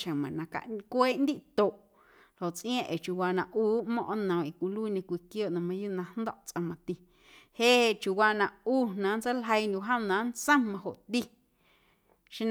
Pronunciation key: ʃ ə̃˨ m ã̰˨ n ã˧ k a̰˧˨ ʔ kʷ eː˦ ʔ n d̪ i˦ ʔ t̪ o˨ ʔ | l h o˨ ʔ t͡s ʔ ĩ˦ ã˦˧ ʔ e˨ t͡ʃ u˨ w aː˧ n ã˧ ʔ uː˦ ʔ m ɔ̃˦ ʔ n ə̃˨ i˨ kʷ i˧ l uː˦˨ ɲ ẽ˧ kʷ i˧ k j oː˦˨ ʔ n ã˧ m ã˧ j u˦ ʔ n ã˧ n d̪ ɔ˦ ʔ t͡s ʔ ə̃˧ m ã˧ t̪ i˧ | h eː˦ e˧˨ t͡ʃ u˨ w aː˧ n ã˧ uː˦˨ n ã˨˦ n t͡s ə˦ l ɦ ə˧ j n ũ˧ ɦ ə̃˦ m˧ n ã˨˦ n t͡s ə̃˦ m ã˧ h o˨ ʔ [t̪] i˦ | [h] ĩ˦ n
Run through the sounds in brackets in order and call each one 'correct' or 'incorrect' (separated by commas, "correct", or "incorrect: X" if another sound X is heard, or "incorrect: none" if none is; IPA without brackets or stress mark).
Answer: correct, incorrect: ʃ